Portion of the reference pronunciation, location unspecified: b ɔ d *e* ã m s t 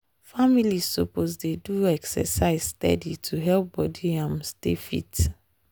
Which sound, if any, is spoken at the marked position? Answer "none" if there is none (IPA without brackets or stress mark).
i